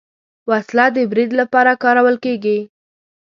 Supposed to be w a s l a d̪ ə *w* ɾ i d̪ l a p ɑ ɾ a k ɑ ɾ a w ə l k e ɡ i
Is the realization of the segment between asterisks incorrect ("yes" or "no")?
yes